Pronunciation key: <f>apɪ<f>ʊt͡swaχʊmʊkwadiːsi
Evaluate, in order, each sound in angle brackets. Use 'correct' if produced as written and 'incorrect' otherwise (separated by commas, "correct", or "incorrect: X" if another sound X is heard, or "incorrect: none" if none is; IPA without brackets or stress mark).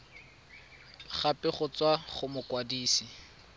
incorrect: χ, incorrect: χ